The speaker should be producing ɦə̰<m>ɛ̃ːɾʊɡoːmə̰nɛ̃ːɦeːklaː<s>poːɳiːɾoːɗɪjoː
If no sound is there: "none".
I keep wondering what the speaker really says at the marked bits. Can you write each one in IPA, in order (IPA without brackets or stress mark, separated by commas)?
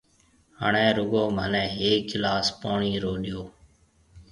ɳ, s